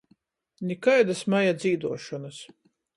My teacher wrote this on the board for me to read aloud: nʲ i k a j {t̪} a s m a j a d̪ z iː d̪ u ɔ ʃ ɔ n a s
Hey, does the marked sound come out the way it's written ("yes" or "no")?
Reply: no